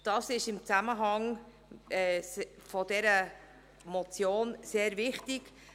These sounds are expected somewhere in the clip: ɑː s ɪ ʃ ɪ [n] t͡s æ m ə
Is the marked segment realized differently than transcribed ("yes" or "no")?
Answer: yes